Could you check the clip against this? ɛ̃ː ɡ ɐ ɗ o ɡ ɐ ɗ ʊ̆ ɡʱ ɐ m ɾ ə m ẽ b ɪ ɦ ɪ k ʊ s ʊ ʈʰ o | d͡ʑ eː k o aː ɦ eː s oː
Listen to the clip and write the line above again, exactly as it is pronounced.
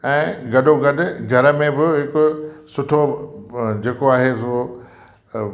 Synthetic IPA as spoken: ɛ̃ː ɡ ɐ ɗ o ɡ ɐ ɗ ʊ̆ ɡʱ ɐ ɾ ə m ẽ b ɪ ɦ ɪ k ʊ s ʊ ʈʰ o | d͡ʑ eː k o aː ɦ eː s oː

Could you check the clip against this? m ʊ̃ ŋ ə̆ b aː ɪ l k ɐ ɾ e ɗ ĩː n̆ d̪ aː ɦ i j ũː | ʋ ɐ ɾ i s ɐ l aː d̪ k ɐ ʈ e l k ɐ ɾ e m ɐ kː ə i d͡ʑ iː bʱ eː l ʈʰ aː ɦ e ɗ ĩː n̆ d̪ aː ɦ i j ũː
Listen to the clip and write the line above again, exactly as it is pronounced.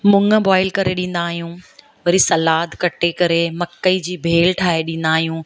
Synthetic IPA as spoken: m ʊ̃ ŋ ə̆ b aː ɪ l k ɐ ɾ e ɗ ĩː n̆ d̪ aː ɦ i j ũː | ʋ ɐ ɾ i s ɐ l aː d̪ k ɐ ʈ e k ɐ ɾ e m ɐ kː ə i d͡ʑ iː bʱ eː l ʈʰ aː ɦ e ɗ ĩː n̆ d̪ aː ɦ i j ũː

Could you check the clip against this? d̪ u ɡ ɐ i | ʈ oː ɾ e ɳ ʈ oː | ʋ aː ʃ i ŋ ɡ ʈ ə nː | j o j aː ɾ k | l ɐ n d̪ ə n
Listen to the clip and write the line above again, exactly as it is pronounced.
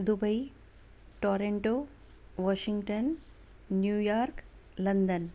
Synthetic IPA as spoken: d̪ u b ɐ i | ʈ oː ɾ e ɳ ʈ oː | ʋ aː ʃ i ŋ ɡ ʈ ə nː | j u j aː ɾ k | l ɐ n d̪ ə n

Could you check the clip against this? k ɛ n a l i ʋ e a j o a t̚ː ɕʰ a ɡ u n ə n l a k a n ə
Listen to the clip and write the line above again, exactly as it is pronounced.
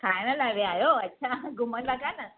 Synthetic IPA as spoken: k a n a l a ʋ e a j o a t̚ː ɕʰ a ɡ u m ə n l a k a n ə

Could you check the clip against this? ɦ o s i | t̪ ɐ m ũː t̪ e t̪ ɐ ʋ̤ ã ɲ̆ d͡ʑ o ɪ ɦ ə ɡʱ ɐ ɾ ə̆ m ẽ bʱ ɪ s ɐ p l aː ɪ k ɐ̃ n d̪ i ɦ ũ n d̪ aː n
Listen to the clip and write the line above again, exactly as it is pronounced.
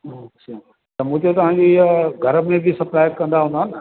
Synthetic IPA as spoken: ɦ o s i | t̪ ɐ m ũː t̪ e t̪ ɐ ʋ̤ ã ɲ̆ d͡ʑ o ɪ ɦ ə ɡʱ ɐ ɾ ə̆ m ẽ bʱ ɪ s ɐ p l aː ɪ k ɐ̃ n d̪ a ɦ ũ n d̪ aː n

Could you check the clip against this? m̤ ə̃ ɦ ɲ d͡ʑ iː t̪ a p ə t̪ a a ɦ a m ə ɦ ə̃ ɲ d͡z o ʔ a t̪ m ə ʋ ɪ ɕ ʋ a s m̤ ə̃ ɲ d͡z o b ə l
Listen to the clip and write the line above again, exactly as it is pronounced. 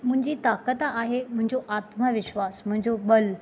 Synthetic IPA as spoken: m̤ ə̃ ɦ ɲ d͡ʑ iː t̪ a k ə t̪ a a ɦ e m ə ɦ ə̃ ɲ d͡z o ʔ a t̪ m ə ʋ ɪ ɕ ʋ a s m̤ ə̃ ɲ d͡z o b ə l

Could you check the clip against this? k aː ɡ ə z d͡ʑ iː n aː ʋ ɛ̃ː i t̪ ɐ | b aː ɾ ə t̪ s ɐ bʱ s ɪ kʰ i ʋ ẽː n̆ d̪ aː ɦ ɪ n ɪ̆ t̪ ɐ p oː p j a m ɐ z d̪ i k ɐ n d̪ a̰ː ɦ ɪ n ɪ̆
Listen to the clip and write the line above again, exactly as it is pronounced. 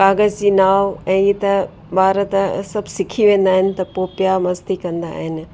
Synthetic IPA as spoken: k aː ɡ ə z d͡ʑ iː n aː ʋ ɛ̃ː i t̪ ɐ | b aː ɾ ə t̪ s ɐ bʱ s ɪ kʰ i ʋ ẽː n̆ d̪ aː ɦ ɪ n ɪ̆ t̪ ɐ p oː p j a m ɐ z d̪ i k ɐ̃ n d̪ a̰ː ɦ ɪ n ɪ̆

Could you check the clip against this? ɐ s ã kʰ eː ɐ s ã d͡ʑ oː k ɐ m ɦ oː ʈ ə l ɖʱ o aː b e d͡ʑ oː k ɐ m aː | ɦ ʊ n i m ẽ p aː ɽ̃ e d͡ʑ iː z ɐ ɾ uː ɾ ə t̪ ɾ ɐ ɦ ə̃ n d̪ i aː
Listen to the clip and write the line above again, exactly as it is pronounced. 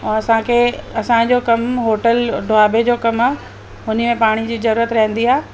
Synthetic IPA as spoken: ɐ s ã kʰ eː ɐ s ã d͡ʑ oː k ɐ m ɦ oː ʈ ə l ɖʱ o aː b e d͡ʑ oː k ɐ m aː | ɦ ʊ n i m ẽ p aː ɽ̃ i d͡ʑ iː z ɐ ɾ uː ɾ ə t̪ ɾ ɐ ɦ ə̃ n d̪ i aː

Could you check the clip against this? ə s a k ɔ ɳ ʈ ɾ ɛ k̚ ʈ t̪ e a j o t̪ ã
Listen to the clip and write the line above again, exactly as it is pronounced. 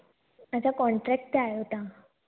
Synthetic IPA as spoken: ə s a k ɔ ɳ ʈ ɾ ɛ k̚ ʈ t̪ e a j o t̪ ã

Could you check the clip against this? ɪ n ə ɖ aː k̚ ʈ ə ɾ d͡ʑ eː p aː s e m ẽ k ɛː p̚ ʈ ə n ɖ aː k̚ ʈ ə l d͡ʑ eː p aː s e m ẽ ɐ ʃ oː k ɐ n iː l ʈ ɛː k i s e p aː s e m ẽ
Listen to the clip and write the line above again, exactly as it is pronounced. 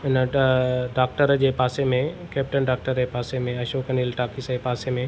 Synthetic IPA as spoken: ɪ n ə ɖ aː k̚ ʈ ə ɾ d͡ʑ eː p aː s e m ẽ k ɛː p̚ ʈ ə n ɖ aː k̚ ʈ ə ɾ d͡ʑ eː p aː s e m ẽ ɐ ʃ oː k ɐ n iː l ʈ aː k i s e p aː s e m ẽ

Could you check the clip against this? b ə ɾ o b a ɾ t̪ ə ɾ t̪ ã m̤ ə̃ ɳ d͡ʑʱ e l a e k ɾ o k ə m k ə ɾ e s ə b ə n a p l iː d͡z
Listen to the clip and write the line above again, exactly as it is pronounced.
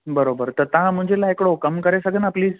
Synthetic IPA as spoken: b ə ɾ o b ə ɾ t̪ ə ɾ t̪ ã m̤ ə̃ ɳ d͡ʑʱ e l a e k ɽ o k ə m k ə ɾ e s ə ɡ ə n a p l iː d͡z

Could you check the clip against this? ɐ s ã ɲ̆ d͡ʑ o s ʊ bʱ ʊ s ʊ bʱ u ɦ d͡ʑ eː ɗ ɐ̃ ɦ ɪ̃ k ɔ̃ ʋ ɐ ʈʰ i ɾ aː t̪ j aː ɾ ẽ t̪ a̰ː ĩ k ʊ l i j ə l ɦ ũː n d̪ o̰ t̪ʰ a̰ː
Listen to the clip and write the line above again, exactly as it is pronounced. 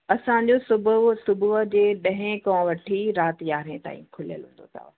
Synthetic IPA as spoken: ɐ s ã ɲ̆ d͡ʑ o s ʊ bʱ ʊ s ʊ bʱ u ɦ d͡ʑ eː ɗ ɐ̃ ɦ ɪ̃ k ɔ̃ ʋ ɐ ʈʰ i ɾ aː t̪ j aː ɾ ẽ t̪ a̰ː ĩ kʰ ʊ l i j ə l ɦ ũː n d̪ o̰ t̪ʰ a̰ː

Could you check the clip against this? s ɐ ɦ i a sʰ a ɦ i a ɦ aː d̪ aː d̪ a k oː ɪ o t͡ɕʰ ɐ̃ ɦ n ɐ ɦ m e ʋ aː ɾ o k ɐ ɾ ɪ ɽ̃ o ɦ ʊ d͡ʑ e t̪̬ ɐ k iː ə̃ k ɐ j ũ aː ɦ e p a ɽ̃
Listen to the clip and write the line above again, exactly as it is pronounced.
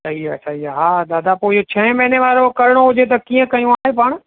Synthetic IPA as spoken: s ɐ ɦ i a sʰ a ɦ i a ɦ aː d̪ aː d̪ a p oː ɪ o t͡ɕʰ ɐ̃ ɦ m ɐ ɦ n e ʋ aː ɾ o k ɐ ɾ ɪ ɽ̃ o ɦ ʊ d͡ʑ e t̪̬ ɐ k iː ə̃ k ɐ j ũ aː ɦ e p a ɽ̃

